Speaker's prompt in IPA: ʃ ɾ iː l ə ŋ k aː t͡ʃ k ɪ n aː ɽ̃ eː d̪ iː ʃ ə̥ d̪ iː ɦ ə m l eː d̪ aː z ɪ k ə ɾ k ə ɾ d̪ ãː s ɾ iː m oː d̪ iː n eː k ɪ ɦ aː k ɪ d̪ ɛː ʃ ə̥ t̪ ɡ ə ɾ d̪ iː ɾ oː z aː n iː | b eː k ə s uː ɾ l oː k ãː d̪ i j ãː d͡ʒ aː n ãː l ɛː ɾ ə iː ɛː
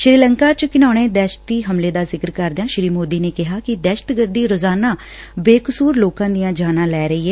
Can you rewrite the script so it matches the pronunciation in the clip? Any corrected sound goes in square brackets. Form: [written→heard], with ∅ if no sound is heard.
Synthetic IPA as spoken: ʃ ɾ iː l ə ŋ k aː t͡ʃ k ɪ n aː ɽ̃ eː d̪ [iː→ɛː] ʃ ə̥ [d̪→t̪] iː ɦ ə m l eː d̪ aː z ɪ k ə ɾ k ə ɾ d̪ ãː [s→ʃ] ɾ iː m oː d̪ iː n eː k ɪ ɦ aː k ɪ d̪ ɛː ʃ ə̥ t̪ ɡ ə ɾ d̪ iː ɾ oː z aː n [iː→aː] | b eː k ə s uː ɾ l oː k ãː d̪ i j ãː d͡ʒ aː n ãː l ɛː ɾ ə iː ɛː